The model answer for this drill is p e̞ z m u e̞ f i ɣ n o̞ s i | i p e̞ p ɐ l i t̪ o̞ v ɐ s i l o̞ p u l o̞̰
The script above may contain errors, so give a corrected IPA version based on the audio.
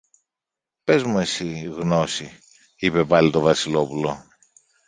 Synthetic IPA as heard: p e̞ z m u e̞ s i ɣ n o̞ s i | i p e̞ p ɐ l i t̪ o̞ v ɐ s i l o̞ p u l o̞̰